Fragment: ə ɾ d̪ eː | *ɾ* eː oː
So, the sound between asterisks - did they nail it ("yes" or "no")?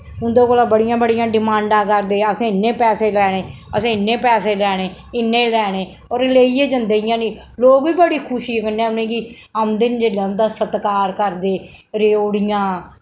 yes